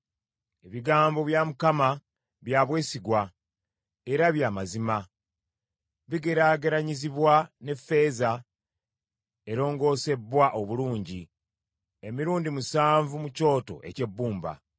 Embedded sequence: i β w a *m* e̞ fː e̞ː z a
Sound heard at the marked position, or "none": n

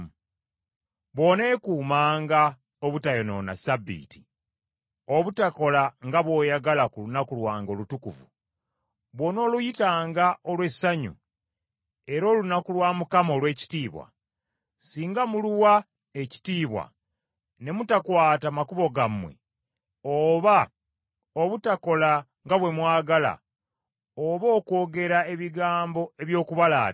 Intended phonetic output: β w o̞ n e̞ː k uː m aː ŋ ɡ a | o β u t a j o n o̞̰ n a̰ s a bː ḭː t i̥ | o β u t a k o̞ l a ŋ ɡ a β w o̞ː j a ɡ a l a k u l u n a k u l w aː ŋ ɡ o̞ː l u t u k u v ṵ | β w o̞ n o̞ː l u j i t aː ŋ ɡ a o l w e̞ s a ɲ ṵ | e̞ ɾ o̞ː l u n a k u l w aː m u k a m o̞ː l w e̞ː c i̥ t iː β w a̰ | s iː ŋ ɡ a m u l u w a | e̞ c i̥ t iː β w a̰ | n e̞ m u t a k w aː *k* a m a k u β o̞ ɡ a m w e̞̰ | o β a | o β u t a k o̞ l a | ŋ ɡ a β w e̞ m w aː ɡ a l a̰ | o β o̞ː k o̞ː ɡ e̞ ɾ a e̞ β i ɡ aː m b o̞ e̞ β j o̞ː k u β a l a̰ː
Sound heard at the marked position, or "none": t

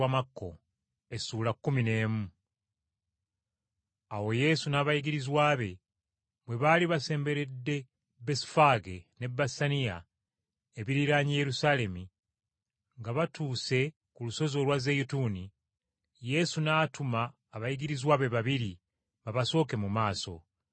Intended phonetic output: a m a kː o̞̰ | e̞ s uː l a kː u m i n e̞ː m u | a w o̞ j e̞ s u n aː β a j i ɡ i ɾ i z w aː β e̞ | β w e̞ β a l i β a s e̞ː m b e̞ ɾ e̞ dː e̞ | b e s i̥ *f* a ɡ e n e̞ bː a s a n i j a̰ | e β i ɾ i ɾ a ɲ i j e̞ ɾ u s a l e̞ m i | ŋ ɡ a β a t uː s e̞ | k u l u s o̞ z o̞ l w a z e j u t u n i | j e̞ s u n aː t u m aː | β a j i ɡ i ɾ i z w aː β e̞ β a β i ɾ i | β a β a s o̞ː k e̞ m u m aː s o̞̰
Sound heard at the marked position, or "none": f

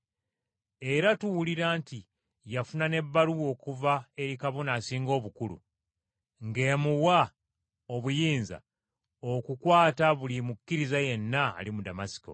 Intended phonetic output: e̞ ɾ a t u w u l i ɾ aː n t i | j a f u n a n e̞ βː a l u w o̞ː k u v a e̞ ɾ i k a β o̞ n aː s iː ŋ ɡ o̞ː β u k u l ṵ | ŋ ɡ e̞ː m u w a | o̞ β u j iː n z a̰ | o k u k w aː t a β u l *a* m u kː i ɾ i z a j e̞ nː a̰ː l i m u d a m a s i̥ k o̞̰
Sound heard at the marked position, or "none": i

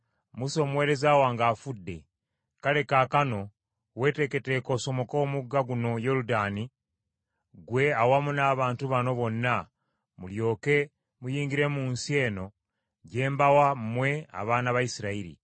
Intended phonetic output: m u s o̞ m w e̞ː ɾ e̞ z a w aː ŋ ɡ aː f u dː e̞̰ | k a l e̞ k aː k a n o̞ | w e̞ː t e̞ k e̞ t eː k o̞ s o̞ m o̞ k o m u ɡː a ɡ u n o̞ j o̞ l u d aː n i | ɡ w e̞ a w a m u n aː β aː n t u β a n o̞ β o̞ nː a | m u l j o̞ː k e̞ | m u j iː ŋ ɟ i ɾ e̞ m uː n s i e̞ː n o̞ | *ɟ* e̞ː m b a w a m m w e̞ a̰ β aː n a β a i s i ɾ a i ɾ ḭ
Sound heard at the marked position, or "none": ɟ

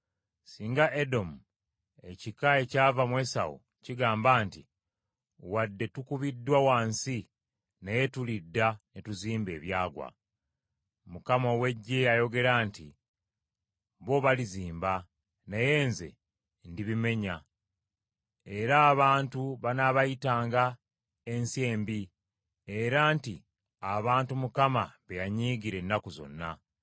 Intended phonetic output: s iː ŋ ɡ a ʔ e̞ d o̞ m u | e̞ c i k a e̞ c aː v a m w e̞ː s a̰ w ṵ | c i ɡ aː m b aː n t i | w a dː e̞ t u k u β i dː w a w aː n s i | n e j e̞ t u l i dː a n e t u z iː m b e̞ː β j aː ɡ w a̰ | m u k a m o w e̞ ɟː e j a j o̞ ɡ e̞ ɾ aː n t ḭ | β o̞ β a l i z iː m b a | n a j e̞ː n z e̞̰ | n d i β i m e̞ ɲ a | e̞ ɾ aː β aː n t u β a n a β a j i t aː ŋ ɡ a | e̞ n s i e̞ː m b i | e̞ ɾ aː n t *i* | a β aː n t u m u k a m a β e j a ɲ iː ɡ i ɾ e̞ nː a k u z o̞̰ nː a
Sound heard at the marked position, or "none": i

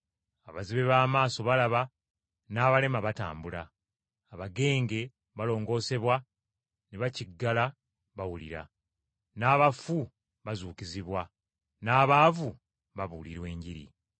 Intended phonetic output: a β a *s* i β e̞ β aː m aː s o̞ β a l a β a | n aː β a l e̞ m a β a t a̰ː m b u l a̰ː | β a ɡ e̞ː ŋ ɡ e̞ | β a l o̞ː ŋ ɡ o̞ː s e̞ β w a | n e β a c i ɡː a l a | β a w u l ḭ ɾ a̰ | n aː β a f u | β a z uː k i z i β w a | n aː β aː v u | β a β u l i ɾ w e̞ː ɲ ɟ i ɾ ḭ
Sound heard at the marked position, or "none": z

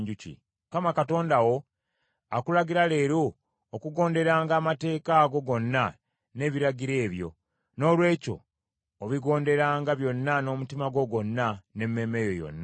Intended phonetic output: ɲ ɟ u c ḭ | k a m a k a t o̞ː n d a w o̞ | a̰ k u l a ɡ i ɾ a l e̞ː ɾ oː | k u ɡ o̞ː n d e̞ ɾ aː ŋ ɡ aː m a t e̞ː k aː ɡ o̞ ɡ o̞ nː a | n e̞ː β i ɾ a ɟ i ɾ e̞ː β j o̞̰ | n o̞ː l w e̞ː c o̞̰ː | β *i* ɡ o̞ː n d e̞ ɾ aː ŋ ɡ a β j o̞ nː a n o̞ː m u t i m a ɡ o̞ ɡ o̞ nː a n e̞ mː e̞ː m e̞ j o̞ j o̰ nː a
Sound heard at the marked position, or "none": i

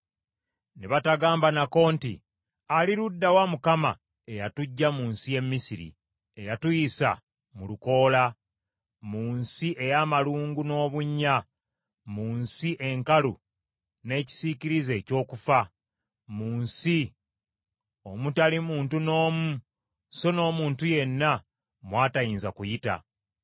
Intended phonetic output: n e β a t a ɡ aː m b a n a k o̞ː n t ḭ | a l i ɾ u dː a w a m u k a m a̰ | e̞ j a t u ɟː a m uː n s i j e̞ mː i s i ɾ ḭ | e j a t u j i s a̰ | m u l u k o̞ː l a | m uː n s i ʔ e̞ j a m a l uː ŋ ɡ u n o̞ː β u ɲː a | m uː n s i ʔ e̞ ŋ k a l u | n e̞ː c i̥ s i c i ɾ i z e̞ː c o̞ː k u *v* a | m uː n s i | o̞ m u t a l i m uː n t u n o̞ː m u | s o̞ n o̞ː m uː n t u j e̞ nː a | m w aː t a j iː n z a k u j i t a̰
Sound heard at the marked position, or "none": f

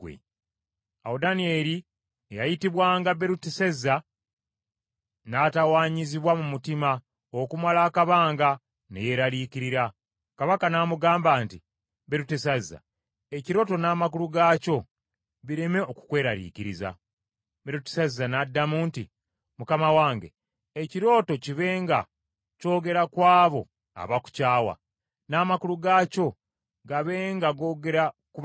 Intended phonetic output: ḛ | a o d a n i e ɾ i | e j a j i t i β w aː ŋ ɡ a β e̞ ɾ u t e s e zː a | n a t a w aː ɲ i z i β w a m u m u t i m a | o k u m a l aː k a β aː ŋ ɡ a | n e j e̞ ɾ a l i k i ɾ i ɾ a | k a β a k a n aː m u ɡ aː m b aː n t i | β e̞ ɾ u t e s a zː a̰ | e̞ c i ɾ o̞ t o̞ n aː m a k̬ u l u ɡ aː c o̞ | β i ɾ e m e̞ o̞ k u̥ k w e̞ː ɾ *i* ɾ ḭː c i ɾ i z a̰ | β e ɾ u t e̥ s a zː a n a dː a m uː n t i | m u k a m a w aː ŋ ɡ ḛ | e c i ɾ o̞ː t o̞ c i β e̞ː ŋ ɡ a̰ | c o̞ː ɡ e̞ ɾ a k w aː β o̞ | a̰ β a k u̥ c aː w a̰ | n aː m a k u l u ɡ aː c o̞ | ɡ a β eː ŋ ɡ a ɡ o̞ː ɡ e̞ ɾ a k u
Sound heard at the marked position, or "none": a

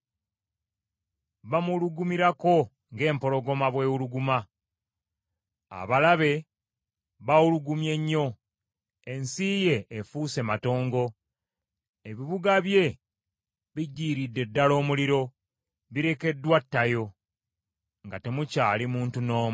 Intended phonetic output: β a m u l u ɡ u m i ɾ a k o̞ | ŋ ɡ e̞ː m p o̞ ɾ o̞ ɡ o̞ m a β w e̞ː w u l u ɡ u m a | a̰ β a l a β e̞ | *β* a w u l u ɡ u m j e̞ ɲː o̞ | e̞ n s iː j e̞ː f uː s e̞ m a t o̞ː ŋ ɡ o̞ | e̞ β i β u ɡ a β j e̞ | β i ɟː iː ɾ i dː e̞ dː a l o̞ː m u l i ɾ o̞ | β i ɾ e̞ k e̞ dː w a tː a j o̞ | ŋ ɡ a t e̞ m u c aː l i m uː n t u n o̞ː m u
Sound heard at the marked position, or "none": β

